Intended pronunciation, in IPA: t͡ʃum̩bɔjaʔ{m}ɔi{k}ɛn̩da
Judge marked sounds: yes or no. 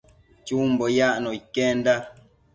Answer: no, yes

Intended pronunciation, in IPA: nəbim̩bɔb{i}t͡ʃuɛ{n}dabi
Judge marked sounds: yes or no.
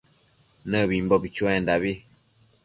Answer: yes, yes

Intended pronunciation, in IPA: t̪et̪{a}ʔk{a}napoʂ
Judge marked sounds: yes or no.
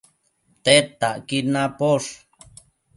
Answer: yes, no

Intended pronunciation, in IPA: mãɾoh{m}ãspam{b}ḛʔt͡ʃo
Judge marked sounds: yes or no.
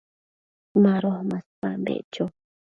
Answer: yes, yes

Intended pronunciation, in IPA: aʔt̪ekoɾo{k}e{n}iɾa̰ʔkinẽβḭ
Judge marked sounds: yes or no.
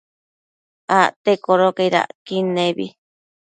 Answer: yes, no

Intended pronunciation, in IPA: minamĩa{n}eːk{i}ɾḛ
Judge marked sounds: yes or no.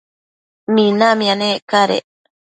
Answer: yes, no

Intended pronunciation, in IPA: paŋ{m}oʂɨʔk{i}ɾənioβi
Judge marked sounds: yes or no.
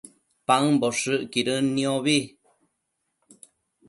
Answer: no, yes

